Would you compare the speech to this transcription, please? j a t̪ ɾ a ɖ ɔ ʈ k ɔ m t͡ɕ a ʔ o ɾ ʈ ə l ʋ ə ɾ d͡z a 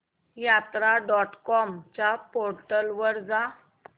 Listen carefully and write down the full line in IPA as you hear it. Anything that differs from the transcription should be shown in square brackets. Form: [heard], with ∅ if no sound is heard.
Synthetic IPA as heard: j a t̪ ɾ a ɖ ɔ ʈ k ɔ m t͡ɕ a [p] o ɾ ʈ ə l ʋ ə ɾ d͡z a